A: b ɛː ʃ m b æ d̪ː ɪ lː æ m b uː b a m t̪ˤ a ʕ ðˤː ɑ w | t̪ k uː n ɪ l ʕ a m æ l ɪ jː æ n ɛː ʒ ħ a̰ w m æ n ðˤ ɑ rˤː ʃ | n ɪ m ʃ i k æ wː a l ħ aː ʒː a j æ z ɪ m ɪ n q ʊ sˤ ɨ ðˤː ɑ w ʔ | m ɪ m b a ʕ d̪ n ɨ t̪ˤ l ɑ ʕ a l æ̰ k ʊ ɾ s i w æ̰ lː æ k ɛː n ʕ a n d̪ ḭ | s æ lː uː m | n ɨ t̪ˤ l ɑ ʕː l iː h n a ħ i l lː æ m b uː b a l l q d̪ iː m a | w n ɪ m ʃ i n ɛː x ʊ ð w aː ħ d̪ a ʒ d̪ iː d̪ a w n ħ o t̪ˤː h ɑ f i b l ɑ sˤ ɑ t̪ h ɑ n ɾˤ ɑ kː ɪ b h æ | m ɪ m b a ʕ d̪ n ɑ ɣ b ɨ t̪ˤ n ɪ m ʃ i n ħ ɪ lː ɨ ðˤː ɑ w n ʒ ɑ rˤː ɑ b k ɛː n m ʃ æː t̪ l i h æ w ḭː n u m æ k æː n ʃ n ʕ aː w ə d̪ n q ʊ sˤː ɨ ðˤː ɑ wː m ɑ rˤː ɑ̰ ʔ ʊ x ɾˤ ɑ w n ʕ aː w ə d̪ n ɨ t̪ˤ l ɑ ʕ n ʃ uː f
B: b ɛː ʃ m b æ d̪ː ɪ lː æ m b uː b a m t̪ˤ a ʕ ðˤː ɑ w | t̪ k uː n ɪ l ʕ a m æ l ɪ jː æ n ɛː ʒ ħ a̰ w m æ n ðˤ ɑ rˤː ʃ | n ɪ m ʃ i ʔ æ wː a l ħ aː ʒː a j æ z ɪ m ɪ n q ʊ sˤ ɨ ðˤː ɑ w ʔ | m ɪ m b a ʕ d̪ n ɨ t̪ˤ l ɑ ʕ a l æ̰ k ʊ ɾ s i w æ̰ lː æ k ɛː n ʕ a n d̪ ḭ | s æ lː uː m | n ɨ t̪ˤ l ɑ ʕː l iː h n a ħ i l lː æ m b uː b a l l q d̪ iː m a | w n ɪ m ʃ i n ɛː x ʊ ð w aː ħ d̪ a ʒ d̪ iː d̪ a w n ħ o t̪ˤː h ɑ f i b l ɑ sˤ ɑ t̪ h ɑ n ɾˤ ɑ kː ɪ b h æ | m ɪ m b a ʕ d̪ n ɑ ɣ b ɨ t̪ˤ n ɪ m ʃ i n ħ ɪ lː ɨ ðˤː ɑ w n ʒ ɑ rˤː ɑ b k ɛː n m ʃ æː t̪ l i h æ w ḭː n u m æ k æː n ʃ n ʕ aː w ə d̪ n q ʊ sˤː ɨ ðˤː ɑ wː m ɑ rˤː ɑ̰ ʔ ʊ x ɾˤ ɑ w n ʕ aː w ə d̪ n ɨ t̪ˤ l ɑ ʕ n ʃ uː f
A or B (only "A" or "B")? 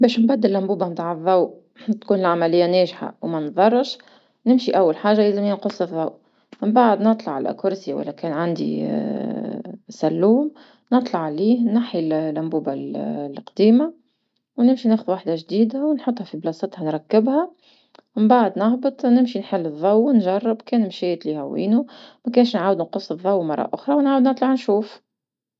B